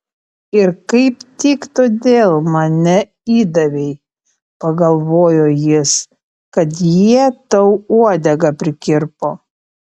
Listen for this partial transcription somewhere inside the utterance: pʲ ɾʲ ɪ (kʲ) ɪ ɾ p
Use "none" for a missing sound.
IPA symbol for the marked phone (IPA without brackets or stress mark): kʲ